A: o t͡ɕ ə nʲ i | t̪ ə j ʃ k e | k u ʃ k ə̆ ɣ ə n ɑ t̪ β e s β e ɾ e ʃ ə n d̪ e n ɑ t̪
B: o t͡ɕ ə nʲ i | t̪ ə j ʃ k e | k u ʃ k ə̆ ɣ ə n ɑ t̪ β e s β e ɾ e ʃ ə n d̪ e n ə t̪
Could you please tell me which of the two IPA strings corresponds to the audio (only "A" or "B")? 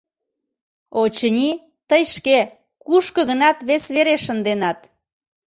A